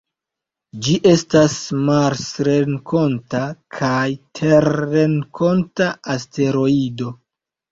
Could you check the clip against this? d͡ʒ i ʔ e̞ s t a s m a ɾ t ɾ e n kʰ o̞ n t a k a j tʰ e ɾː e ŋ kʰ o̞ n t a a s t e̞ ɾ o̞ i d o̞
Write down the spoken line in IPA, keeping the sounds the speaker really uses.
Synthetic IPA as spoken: d͡ʒ i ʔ e̞ s t a s m a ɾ s ɾ e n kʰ o̞ n t a kʰ a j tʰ e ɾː e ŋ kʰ o̞ n t a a s t e̞ ɾ o̞ i d o̞